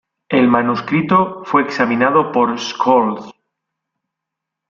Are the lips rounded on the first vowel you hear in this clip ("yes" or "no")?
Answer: no